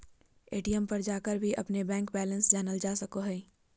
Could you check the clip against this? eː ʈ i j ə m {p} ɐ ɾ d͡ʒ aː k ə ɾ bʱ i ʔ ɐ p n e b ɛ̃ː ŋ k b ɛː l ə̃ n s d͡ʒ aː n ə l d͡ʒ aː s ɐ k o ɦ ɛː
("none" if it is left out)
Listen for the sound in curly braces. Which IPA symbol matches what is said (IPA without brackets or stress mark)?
p